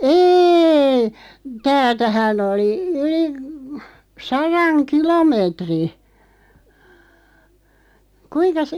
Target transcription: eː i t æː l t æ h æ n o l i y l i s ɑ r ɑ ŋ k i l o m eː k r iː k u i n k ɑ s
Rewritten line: eː i t æː l t æ h æ n o l i y l i s ɑ r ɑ ŋ k i l o m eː t r i k u i n k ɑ s

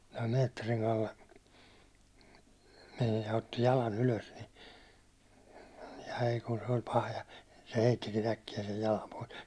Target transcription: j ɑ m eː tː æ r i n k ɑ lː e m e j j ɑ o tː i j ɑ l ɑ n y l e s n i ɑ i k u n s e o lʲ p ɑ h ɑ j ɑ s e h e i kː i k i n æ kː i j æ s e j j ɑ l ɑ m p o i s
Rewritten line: j ɑ m eː tː e r i ŋ k ɑ lː e m e j j ɑ o tː i j ɑ l ɑ n y l ø s n i ɑ i k u n s e o lʲ p ɑ h ɑ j ɑ s e h e i tː i k i n æ kː i j æ s e j j ɑ l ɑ m p o i s

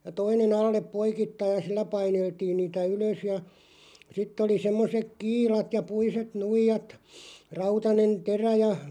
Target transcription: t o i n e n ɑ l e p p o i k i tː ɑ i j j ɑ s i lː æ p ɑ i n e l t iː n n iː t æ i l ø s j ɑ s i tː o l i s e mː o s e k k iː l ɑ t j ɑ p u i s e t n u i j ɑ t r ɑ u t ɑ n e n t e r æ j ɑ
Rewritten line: t o i n e n ɑ lː e p p o i k i tː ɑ i j j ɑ s i lː æ p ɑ i n e l t iː n n iː t æ y l ø s j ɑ s i tː o l i s e mː o s e k k iː l ɑ t j ɑ p u i s e t n u i j ɑ t r ɑ u t ɑ n e n t e r æ j ɑ

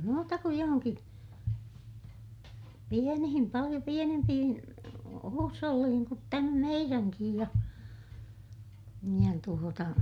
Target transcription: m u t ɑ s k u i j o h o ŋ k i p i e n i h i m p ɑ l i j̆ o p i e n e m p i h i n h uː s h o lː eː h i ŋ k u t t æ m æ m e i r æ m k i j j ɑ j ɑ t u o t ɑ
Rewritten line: m uː t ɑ k u j j o h o ŋ k i p i e n i h i m p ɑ l i j̆ o p i e n e m p i h i n h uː s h o lː iː h i ŋ k u t t æ m æ m e i r æ ŋ k i j j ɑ j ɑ t u o t ɑ

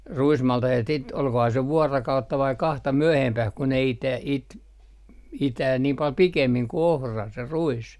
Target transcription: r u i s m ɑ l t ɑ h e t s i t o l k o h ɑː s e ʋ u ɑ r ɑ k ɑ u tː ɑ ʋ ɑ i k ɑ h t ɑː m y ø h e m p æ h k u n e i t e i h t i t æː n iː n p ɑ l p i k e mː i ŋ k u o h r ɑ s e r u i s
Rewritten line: r u i s m ɑ l t ɑ h e t s i t o l k o h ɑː s e ʋ u ɑ r ɑ k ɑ u tː ɑ ʋ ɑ i k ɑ h t ɑ m y ø h e m p æ h k u n e i t e i t i t æː n iː m p ɑ l p i k e mː i ŋ k u o h r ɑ s e r u i s

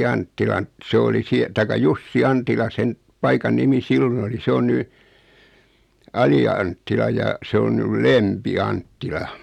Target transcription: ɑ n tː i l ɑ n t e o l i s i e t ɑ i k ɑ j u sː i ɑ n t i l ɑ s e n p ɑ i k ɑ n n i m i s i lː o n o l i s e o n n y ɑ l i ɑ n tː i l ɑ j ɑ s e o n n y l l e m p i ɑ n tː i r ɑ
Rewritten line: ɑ n tː i l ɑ n s e o l i s i e t ɑ i k ɑ j u sː i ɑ n t i l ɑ s e n p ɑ i k ɑ n n i m i s i lː o n o l i s e o n n y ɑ l i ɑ n tː i l ɑ j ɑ s e o n n y l l e m p i ɑ n tː i l ɑ

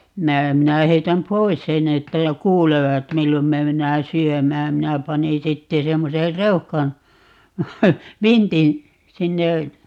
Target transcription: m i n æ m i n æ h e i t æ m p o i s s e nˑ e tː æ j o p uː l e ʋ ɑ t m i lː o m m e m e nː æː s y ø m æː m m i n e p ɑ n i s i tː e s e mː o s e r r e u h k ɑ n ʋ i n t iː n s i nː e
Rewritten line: m i n æ m i n æ h e i t æ m p o i s s e nˑ e tː æ j o k uː l e ʋ ɑ t m i lː o m m e m e nː æː s y ø m æː m m i n æ p ɑ n i s i tː e s e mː o s e r r e u h k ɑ n ʋ i n t i n s i nː e

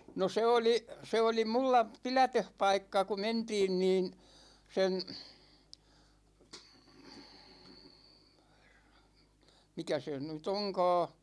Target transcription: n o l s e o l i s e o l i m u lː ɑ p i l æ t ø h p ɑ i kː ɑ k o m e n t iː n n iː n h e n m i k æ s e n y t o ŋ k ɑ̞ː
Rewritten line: n o s e o l i s e o l i m u lː ɑ p i l æ t ø h p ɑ i kː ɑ k u m e n t iː n n iː n s e n m i k æ s e n y t o ŋ k ɑ̞ː

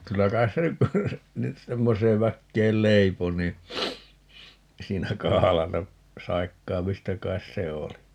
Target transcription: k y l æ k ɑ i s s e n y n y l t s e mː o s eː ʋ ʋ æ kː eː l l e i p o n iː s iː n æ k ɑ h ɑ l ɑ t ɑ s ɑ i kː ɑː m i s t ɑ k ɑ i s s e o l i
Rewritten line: k y lː æ k ɑ i s s e n y n y t s e mː o s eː ʋ ʋ æ kː eː l l e i p o n iː s iː n æ k ɑ h ɑ l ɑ t ɑ s ɑ i kː ɑː m i s t ɑ k ɑ i s s e o l i

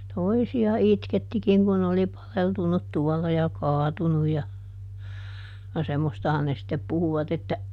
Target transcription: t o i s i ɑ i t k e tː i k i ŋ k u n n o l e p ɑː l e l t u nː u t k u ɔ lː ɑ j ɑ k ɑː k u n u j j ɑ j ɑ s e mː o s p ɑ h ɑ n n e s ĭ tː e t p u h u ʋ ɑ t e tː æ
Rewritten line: t o i s i ɑ i t k e tː i k i ŋ k u n n o l i p ɑ l e l t u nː u t t u ɔ lː ɑ j ɑ k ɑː t u n u j j ɑ j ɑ s e mː o s t ɑ h ɑ n n e s ĭ tː e p p u h u ʋ ɑ t e tː æ

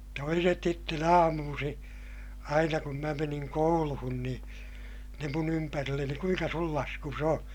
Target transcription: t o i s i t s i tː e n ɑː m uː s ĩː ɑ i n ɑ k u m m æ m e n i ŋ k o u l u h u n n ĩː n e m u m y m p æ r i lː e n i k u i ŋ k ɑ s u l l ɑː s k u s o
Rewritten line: t o i s e t s i tː e n ɑː m uː s ĩː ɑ i n ɑ k u m m æ m e n i ŋ k o u l u h u n n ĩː n e m u n y m p æ r i lː e n i k u i ŋ k ɑ s u l l ɑ s k u s o

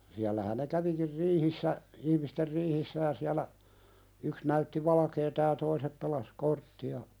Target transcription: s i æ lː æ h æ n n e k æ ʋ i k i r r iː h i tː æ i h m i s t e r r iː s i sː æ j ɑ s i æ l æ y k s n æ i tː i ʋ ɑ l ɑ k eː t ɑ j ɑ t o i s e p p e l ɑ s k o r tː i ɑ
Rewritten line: s i æ lː æ h æ n n e k æ ʋ i k i r r iː h i sː æ i h m i s t e r r iː h i sː æ j ɑ s i æ l æ y k s n æ y tː i ʋ ɑ l ɑ k eː t ɑ j ɑ t o i s e p p e l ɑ s k o r tː i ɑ

